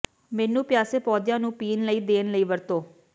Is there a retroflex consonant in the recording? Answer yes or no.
no